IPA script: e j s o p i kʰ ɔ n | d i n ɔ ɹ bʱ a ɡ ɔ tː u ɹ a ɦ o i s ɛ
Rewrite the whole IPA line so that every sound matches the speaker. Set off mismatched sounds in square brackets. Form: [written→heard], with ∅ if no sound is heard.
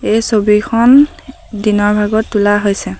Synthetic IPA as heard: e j s o [p→b] i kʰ ɔ n | d i n ɔ ɹ bʱ a ɡ ɔ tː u [ɹ→l] a ɦ o [i→j] s ɛ